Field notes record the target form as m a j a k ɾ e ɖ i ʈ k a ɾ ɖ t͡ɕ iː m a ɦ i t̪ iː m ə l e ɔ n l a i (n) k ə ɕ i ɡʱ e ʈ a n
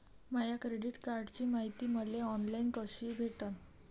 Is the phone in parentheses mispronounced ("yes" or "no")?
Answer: no